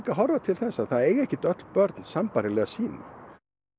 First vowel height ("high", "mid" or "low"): low